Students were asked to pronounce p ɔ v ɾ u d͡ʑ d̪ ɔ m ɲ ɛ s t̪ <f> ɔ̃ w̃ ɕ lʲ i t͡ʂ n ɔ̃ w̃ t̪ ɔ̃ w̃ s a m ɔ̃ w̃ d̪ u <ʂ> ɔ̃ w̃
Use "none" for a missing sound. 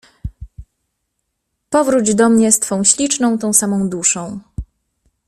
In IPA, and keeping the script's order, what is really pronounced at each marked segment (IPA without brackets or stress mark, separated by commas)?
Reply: f, ʂ